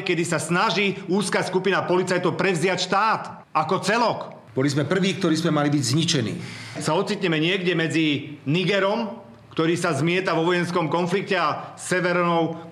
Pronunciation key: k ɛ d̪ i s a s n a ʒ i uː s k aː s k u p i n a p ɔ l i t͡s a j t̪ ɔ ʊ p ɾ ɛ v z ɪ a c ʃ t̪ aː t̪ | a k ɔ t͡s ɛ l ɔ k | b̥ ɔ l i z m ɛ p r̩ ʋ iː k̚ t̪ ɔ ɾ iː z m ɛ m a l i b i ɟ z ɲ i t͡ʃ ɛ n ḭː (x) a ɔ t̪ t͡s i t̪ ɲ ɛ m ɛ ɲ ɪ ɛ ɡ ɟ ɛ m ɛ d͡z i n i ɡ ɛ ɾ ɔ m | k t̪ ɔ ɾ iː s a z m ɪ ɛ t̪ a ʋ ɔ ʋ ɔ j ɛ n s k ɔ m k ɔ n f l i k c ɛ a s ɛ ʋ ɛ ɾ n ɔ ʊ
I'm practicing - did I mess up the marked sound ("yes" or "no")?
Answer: yes